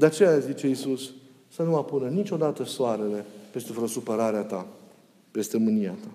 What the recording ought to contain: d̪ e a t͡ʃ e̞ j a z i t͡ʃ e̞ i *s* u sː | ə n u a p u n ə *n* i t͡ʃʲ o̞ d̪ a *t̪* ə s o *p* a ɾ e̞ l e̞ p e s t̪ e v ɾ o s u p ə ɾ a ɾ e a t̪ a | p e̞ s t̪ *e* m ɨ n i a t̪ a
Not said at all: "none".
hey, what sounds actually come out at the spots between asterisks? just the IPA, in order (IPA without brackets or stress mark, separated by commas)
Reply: s, n, t̪, none, e